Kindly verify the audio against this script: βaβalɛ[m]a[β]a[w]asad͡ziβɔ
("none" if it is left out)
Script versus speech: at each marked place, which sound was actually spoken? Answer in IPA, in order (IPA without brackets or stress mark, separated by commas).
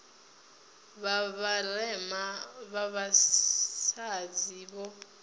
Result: m, β, β